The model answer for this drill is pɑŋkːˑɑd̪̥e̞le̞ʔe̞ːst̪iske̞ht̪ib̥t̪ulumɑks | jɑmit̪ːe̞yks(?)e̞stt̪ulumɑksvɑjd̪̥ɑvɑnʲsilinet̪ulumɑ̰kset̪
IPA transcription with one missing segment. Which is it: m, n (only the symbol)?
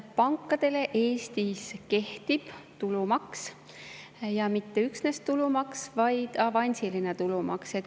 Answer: n